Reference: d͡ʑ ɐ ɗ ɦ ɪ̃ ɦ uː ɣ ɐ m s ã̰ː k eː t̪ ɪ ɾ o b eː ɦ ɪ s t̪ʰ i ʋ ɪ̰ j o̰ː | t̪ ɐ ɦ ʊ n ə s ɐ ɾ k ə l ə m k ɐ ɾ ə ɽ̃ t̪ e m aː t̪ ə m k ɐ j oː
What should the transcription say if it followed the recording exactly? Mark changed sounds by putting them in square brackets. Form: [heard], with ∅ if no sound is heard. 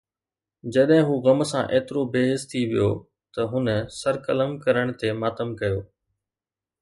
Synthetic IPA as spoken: d͡ʑ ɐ ɗ ɦ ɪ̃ ɦ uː ɣ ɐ m s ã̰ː [ʔ] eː t̪ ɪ ɾ o b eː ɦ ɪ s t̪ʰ i ʋ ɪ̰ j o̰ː | t̪ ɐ ɦ ʊ n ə s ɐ ɾ k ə l ə m k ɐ ɾ ə ɽ̃ t̪ e m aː t̪ ə m k ɐ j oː